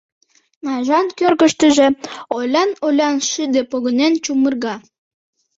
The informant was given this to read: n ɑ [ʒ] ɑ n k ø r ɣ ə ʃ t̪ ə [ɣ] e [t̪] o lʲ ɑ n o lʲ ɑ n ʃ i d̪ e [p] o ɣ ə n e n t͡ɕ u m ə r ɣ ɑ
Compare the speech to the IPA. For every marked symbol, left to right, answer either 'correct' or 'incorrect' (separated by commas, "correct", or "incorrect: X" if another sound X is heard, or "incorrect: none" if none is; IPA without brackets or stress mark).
correct, incorrect: ʒ, incorrect: none, correct